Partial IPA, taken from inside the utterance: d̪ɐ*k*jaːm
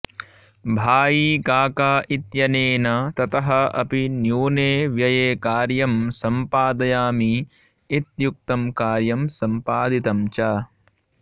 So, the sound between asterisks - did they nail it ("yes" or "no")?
no